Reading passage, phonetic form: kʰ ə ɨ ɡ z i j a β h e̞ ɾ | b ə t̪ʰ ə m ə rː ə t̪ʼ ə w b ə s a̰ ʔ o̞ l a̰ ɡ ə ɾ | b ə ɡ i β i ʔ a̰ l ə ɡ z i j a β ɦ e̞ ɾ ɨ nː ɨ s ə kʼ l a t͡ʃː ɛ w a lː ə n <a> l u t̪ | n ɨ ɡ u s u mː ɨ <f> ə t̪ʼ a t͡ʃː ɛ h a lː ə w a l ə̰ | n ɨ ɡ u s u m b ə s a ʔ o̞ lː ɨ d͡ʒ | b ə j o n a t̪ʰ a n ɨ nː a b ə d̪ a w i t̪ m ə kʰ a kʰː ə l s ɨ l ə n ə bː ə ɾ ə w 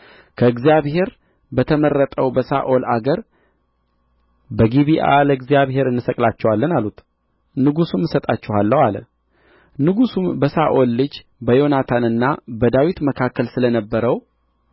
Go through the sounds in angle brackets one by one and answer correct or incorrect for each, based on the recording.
correct, incorrect

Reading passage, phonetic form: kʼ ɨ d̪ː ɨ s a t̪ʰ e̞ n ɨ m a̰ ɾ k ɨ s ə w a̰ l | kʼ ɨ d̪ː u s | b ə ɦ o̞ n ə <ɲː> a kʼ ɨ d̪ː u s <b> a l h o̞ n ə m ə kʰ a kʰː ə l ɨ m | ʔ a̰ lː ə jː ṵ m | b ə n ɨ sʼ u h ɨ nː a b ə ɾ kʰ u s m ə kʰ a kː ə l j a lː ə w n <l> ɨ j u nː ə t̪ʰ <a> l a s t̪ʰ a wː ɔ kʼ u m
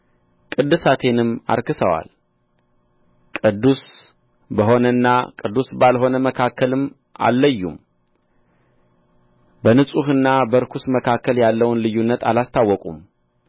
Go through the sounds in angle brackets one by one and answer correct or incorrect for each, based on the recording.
incorrect, correct, correct, correct

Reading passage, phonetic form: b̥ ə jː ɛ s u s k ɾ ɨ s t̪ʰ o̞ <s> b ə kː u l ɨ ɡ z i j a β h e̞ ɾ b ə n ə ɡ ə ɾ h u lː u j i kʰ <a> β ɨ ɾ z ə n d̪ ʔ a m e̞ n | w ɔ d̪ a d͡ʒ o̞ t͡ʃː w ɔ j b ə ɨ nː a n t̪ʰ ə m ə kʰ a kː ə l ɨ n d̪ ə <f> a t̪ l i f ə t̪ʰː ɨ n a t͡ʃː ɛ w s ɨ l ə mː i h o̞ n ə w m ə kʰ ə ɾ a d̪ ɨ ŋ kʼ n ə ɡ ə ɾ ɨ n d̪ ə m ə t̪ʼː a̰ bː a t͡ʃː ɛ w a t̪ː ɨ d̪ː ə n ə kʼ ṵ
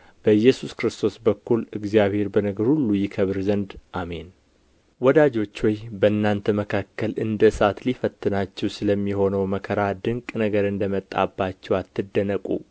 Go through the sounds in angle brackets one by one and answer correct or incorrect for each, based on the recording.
correct, incorrect, incorrect

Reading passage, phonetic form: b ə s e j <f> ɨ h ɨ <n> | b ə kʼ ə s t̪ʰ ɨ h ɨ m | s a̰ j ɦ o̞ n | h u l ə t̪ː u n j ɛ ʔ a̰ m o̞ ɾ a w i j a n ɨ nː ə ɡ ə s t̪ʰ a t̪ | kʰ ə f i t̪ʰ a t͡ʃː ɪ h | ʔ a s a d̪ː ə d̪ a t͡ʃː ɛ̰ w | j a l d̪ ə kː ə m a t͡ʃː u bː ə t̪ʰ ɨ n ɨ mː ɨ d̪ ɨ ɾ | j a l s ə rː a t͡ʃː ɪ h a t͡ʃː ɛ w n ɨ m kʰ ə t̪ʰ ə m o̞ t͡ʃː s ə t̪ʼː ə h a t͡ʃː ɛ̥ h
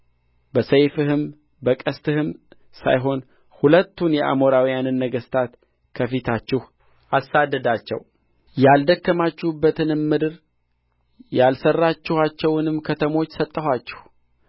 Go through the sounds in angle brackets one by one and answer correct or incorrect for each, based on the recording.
correct, incorrect

